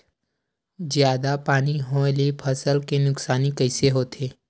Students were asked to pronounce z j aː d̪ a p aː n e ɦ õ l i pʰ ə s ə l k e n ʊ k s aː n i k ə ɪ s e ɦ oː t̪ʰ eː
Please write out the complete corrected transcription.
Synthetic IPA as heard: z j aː d̪ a p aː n i ɦ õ l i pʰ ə s ə l k e n ʊ k s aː n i k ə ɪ s e ɦ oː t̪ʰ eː

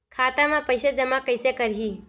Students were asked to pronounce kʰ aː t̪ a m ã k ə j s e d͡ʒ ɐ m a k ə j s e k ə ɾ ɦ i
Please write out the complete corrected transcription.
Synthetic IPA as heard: kʰ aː t̪ a m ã p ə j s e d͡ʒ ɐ m a k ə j s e k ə ɾ ɦ i

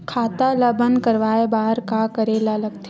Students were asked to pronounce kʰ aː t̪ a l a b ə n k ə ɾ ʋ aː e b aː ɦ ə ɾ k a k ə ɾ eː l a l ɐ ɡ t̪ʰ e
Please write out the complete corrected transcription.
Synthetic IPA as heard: kʰ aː t̪ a l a b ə n k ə ɾ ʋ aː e b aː ɦ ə ɾ k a k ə ɾ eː l a l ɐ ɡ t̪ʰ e

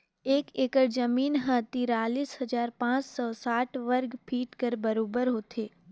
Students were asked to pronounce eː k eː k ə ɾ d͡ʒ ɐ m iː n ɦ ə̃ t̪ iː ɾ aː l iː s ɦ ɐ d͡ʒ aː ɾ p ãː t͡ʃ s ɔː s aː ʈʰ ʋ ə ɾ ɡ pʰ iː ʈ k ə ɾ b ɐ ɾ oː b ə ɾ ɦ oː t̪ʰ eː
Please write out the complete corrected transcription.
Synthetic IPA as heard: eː k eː k ə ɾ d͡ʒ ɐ m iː n ɦ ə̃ t̪ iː ɾ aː l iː s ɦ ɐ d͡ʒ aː ɾ p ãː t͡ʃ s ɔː s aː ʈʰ ʋ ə ɾ ɡ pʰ iː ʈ k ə ɾ b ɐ ɾ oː b ə ɾ ɦ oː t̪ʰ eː

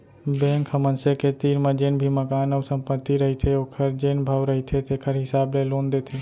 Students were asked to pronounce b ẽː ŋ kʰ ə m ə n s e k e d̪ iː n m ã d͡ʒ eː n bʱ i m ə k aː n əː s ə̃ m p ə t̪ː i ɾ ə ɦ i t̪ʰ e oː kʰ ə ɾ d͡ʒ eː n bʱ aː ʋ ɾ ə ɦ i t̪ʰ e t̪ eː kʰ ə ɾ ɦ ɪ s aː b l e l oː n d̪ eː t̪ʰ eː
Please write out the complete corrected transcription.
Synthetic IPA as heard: b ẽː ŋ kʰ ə m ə n s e k e t̪ iː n m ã d͡ʒ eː n bʱ i m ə k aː n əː s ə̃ m p ə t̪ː i ɾ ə ɦ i t̪ʰ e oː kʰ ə ɾ d͡ʒ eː n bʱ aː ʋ ɾ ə ɦ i t̪ʰ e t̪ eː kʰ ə ɾ ɦ ɪ s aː b l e l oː n d̪ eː t̪ʰ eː

